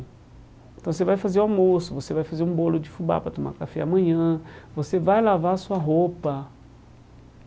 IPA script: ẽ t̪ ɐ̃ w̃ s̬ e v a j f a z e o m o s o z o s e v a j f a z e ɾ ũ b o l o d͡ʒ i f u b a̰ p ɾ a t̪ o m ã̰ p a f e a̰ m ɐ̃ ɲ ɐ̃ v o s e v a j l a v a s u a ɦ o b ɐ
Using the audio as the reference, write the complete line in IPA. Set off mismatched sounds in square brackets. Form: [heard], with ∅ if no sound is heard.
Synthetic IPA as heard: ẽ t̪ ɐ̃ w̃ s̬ e v a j f a z e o m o s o [v] o s e v a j f a z e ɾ ũ b o l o d͡ʒ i f u b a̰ p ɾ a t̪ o m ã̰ [k] a f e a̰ m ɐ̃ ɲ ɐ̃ v o s e v a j l a v a s u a ɦ o [p] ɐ